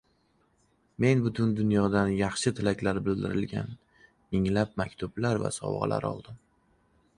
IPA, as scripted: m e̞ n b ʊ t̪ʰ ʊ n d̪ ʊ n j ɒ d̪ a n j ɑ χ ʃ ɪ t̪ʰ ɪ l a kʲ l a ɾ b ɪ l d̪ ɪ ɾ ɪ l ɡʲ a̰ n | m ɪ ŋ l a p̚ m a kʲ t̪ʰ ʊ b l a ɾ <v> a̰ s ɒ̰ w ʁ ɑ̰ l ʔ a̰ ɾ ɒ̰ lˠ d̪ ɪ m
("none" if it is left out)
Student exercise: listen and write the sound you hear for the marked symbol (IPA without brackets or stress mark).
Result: v